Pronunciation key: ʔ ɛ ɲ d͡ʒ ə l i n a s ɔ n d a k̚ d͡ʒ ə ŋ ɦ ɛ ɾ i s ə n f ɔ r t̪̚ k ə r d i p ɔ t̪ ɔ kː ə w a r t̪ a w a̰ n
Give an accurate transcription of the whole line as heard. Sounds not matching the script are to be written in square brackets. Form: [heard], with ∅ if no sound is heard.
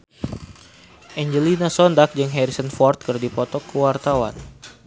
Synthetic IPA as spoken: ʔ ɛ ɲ d͡ʒ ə l i n a s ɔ n d a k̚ d͡ʒ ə ŋ ɦ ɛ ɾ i s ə n f ɔ r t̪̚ k ə r d i p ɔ t̪ ɔ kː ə w a r t̪ a w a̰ n